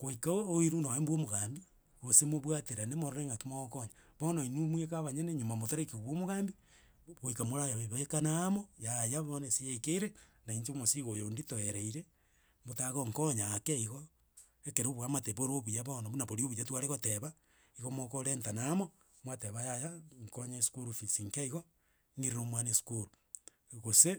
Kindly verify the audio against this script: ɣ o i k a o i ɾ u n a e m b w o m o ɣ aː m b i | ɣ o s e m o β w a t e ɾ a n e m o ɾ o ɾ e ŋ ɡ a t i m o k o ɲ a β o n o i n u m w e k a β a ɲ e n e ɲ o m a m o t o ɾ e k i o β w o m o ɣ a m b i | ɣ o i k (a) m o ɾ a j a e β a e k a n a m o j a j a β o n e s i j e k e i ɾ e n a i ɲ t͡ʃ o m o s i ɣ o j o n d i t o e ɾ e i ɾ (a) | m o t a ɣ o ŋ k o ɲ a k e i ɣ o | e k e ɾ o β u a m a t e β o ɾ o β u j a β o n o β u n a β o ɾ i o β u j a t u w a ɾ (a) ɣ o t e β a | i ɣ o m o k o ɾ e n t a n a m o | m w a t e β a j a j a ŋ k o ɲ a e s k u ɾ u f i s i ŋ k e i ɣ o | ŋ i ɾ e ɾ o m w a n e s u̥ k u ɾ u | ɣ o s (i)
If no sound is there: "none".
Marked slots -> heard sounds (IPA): a, e, e, e

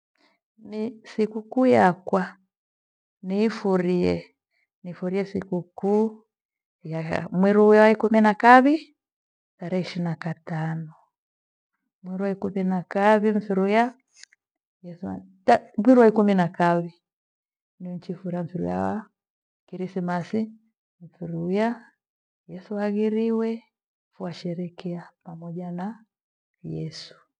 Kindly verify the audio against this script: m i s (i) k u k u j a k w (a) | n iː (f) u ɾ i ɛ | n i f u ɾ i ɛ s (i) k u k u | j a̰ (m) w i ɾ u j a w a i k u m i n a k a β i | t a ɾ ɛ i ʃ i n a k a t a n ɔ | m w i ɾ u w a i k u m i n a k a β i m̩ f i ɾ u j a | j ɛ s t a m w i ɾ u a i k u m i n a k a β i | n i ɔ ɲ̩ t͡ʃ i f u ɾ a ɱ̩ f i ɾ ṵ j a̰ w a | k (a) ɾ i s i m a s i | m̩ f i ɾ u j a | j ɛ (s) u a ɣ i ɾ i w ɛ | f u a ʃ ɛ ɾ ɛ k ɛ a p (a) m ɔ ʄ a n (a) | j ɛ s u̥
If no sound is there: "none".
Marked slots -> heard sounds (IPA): i, a, f, i, m, i, s, a, a

